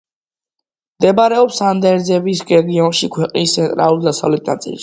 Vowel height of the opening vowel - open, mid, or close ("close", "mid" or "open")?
mid